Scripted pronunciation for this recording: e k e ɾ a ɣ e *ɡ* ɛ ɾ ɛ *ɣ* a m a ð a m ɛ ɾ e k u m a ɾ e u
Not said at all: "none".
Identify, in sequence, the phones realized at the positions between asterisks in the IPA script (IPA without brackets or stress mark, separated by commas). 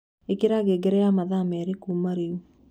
ɡ, none